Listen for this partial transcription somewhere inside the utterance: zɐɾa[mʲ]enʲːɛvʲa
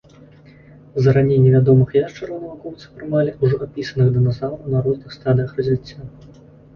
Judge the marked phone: incorrect: nʲ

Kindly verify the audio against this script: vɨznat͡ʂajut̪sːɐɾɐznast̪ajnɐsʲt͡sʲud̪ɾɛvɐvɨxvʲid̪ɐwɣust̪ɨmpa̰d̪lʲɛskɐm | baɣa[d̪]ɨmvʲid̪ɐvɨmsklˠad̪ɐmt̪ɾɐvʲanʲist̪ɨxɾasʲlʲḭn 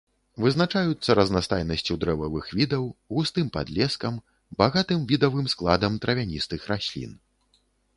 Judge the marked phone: incorrect: t̪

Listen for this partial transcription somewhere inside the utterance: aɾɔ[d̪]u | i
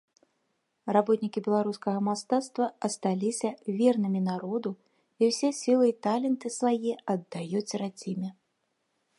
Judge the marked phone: correct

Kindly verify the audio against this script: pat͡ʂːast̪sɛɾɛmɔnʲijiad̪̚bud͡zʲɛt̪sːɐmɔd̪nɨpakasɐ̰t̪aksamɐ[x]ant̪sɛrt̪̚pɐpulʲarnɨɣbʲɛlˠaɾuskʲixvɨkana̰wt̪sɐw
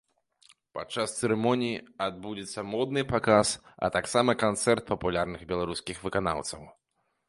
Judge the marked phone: incorrect: k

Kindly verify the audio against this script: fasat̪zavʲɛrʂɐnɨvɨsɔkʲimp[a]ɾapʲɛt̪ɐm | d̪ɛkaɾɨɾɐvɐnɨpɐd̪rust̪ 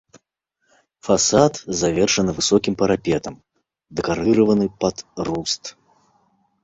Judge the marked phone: incorrect: ɐ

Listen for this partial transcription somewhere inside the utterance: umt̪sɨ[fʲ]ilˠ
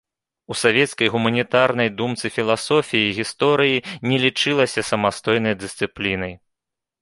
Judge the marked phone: correct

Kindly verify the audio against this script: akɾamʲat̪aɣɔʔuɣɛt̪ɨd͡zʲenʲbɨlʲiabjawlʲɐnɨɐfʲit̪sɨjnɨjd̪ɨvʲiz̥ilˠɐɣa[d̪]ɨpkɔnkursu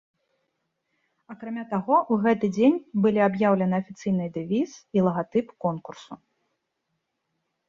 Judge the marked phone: incorrect: t̪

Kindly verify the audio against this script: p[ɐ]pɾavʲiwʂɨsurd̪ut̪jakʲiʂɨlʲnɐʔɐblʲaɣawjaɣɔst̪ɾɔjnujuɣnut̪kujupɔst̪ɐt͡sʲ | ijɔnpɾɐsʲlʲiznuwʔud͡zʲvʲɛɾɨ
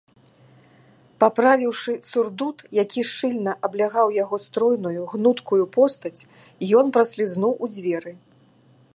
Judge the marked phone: incorrect: a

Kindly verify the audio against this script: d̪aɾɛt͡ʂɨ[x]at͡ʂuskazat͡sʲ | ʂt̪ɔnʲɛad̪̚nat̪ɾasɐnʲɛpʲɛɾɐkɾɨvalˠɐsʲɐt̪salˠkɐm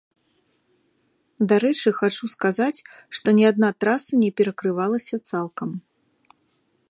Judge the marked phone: correct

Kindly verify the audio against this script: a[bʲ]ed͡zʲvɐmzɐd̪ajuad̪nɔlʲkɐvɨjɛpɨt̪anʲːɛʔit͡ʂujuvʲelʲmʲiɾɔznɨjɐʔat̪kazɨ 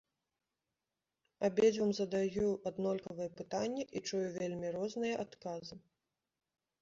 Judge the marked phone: correct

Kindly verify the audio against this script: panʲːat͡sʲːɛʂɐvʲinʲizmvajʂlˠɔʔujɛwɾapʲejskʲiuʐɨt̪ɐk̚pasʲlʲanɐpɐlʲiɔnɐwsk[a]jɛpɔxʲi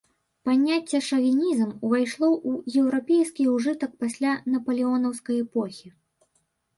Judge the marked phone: incorrect: ɐ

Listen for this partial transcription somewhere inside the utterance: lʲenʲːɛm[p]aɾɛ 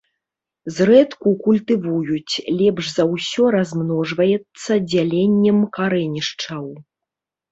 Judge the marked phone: incorrect: k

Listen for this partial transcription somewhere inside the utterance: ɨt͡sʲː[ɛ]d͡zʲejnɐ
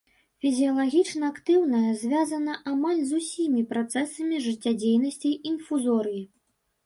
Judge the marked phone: incorrect: a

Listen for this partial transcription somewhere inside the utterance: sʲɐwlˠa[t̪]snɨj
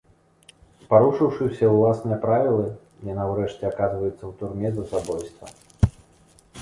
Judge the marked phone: incorrect: none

